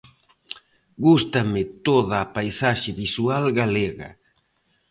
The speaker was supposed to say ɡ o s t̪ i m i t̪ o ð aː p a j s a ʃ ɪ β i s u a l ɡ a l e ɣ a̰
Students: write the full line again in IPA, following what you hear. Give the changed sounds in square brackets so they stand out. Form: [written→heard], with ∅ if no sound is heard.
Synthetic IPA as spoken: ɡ [o→u] s t̪ [i→a] m [i→ɪ] t̪ o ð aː p a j s a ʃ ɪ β i s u a l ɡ a l e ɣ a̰